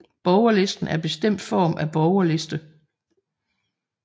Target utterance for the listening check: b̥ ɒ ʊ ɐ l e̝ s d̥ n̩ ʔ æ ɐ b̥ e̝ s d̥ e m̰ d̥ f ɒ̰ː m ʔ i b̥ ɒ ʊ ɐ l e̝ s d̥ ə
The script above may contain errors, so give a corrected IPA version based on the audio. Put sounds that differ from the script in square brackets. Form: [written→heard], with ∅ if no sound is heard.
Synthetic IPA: b̥ ɒ ʊ ɐ l e̝ s d̥ n̩ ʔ æ ɐ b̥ e̝ s d̥ e m̰ d̥ f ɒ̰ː m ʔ [i→æ] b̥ ɒ ʊ ɐ l e̝ s d̥ ə

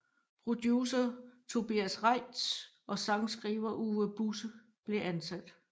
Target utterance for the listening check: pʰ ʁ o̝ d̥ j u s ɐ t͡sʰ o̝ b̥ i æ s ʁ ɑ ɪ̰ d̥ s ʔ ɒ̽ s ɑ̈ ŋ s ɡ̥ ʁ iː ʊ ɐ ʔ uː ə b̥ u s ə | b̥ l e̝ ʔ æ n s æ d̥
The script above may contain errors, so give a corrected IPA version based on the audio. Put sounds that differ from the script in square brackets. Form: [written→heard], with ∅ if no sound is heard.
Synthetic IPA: pʰ ʁ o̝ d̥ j u s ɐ t͡sʰ o̝ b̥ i æ s ʁ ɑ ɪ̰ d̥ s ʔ ɒ̽ s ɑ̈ ŋ s ɡ̥ ʁ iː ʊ ɐ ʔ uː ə b̥ u s ə | b̥ l e̝ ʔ æ n s æ d̥

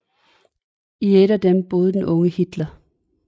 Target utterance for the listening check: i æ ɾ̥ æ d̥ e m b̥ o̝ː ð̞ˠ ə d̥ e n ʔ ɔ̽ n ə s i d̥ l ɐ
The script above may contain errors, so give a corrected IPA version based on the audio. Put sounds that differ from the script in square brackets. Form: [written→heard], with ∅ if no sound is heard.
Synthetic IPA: i [æ→e] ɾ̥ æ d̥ e m b̥ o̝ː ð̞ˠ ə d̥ e n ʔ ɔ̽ [n→ŋ] ə [s→h] i d̥ l ɐ

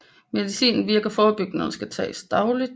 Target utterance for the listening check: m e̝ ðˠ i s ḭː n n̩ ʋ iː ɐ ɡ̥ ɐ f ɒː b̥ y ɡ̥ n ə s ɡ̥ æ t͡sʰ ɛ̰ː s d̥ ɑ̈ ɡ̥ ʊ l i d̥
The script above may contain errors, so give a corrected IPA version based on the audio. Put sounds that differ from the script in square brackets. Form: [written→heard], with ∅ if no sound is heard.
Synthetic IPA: m e̝ ðˠ i s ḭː n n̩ ʋ [iː→i] ɐ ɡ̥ ɐ f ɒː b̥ y ɡ̥ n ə s ɡ̥ æ t͡sʰ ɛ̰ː s d̥ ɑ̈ [ɡ̥→∅] ʊ l i d̥

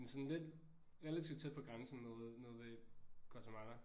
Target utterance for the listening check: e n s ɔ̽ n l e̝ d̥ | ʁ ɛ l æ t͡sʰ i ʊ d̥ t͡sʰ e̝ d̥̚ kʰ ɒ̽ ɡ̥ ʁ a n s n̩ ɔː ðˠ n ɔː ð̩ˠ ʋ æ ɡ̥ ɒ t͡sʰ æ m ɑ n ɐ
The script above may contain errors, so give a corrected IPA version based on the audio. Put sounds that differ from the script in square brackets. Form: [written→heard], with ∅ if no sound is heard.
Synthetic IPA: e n s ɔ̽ n l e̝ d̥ | ʁ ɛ l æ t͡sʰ i ʊ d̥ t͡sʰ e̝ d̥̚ [kʰ→pʰ] ɒ̽ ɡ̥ ʁ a n s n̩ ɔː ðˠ n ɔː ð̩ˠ ʋ [æ→e] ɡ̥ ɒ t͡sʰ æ m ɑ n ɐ

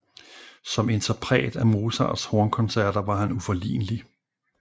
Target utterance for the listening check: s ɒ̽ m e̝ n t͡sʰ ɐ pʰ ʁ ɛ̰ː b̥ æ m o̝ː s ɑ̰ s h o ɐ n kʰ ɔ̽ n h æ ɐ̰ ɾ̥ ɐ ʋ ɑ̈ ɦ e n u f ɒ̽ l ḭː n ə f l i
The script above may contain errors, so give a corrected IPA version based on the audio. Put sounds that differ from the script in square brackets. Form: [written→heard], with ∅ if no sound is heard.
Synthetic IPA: s ɒ̽ m e̝ n t͡sʰ ɐ pʰ ʁ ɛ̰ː [b̥→d̥] æ m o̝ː s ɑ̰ s h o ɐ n kʰ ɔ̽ n [h→s] æ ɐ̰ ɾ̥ ɐ ʋ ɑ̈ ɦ [e→æ] n u f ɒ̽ l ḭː n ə [f→∅] l i

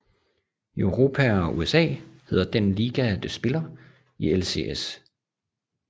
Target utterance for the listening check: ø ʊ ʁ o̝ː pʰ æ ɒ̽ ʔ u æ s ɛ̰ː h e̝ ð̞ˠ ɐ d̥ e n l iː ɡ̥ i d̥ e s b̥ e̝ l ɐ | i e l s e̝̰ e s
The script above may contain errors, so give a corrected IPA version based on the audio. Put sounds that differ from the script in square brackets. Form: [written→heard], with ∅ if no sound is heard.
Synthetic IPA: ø ʊ ʁ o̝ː pʰ æ ɒ̽ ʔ u [æ→e] s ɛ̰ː h e̝ ð̞ˠ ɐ d̥ e n l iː ɡ̥ [i→æ] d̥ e s b̥ e̝ l ɐ | i e l s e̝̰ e s

